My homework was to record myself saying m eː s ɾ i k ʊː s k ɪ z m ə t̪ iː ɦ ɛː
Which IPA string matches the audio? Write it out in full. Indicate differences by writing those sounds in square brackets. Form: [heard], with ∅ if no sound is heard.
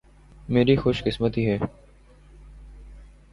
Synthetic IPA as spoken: m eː [∅] ɾ i [x] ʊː [ʃ] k ɪ [s] m ə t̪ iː ɦ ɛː